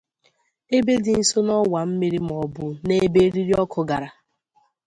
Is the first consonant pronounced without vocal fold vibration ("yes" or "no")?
no